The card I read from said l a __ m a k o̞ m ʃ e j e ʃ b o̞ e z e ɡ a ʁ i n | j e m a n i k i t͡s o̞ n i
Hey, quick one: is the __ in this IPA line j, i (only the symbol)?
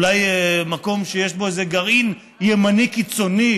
j